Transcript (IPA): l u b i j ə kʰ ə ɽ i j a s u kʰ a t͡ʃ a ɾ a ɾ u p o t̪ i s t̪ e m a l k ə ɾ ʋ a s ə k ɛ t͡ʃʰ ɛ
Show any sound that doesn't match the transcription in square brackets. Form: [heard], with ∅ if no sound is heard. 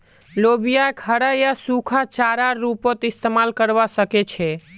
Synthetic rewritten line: l [o] b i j [a] kʰ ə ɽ [a] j a s u kʰ a t͡ʃ a ɾ a ɾ u p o t̪ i s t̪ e m a l k ə ɾ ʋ a s ə k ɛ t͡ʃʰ ɛ